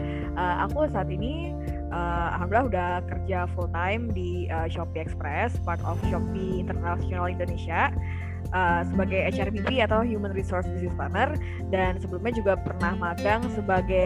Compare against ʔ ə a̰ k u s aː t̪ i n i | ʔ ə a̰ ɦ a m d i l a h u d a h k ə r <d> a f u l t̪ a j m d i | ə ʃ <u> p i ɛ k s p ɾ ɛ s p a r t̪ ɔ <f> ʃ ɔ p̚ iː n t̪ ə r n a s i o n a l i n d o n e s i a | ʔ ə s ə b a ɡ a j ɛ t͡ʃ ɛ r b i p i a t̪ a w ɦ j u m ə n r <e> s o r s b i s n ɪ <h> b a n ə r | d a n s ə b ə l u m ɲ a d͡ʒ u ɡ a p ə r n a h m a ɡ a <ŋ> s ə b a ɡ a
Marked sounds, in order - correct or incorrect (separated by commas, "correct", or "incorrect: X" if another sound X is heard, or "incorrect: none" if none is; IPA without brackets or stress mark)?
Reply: incorrect: d͡ʒ, incorrect: ɔ, correct, incorrect: i, incorrect: s, correct